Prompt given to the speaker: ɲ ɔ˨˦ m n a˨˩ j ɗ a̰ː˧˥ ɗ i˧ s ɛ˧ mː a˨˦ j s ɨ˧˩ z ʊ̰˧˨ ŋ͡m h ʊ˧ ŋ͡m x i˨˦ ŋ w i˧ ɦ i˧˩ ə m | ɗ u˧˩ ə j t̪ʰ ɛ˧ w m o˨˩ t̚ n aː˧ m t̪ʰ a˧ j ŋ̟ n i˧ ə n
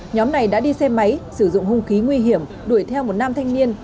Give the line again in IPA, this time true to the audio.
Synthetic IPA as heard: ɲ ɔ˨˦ m n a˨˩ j ɗ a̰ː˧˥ ɗ i˧ s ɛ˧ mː a˨˦ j s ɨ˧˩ z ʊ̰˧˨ ŋ͡m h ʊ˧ ŋ͡m x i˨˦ ŋ w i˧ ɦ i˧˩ ə m | ɗ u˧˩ ə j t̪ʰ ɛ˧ w m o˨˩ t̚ n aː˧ m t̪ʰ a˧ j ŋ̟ n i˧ ə n

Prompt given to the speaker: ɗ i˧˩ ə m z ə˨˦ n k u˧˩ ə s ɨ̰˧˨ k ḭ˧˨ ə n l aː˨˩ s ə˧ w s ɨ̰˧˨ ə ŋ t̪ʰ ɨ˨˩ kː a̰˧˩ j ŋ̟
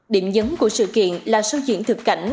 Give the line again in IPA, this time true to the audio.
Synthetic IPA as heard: ɗ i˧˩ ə m z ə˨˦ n k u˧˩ ə s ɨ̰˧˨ k ḭ˧˨ ə n l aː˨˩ s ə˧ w z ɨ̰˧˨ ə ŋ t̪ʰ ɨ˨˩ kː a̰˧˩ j ŋ̟

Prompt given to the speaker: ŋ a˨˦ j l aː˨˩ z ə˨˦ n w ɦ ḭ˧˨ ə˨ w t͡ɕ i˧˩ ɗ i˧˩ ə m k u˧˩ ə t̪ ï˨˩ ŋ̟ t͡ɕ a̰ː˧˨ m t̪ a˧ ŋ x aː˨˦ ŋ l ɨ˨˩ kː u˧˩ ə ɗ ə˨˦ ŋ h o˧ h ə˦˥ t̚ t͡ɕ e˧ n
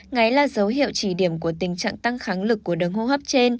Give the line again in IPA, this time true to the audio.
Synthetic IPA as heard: ŋ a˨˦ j l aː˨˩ z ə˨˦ w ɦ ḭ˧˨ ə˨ w t͡ɕ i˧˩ ɗ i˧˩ ə m k u˧˩ ə t̪ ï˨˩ ŋ̟ t͡ɕ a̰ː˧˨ ŋ t̪ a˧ ŋ x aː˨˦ ŋ l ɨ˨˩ kː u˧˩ ə ɗ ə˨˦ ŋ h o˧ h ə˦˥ p̚ t͡ɕ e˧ n

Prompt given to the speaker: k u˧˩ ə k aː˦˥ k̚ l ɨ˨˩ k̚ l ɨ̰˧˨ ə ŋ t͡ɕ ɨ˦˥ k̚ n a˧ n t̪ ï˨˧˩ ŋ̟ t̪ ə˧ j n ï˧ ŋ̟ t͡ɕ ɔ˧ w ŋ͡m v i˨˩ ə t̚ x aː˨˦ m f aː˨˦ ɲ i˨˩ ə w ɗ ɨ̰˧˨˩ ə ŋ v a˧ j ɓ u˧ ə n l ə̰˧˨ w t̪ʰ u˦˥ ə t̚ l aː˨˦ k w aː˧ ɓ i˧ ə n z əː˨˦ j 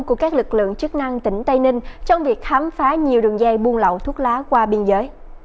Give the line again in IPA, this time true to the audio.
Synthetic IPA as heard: k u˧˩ ə k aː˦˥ k̚ l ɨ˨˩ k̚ l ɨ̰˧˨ ə ŋ t͡ɕ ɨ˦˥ k̚ n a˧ ŋ t̪ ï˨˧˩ ŋ̟ t̪ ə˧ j n ï˧ ŋ̟ t͡ɕ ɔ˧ w ŋ͡m v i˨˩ ə k̚ x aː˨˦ m f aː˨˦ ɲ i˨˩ ə w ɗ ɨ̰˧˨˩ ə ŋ z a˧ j ɓ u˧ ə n l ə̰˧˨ w t̪ʰ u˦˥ ə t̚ l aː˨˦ k w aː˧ ɓ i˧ ə n z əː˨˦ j

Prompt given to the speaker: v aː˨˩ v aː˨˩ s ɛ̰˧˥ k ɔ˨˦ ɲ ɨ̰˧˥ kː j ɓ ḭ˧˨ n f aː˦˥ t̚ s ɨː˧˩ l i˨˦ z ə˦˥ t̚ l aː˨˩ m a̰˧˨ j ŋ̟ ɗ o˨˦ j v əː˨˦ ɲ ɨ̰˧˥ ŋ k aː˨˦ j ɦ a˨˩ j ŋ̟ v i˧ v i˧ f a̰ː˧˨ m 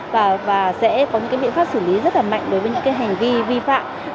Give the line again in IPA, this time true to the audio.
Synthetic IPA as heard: v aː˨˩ v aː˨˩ s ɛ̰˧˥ k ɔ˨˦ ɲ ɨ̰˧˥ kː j ɓ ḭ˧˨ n f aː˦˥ p̚ s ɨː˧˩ l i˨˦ z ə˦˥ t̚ l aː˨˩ m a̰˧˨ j ŋ̟ ɗ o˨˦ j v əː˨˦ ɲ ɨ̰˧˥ ŋ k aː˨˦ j ɦ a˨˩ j ŋ̟ v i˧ v i˧ f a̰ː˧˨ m

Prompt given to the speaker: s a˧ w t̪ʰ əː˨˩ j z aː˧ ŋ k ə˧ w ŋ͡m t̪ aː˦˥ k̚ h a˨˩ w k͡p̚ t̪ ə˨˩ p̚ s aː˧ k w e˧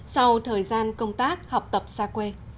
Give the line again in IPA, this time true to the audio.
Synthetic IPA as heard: s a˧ w t̪ʰ əː˨˩ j z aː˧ n k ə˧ w ŋ͡m t̪ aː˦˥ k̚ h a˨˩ w k͡p̚ t̪ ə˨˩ p̚ s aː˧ k w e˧

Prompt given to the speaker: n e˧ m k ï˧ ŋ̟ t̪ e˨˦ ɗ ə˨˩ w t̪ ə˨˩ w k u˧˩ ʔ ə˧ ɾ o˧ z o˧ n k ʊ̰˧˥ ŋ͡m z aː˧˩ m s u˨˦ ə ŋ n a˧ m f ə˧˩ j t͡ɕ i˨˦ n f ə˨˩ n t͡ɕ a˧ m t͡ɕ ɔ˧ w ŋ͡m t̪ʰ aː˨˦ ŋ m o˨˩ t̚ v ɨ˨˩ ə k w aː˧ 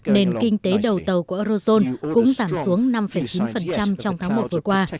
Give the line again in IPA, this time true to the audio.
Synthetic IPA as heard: n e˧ n k ï˧ ŋ̟ t̪ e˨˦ ɗ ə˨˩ w t̪ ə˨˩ w k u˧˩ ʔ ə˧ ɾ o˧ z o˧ n k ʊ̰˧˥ ŋ͡m z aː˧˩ m s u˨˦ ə ŋ n a˧ m f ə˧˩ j t͡ɕ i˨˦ n f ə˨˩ n t͡ɕ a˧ m t͡ɕ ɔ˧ w ŋ͡m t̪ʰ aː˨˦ ŋ m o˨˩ t̚ v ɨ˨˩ ə k w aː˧

